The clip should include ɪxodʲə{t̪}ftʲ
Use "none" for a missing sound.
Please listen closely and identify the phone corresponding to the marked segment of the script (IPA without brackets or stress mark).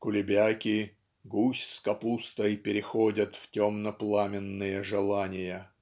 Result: t̪